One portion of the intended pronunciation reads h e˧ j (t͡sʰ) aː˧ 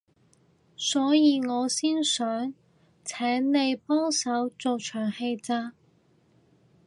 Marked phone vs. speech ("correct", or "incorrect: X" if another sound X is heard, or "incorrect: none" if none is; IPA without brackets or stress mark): incorrect: t͡s